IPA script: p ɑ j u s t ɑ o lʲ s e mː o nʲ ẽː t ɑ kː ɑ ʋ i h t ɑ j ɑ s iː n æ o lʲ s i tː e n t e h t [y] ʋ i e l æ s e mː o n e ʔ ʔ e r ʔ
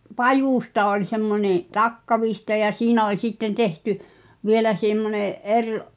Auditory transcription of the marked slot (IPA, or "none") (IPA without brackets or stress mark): y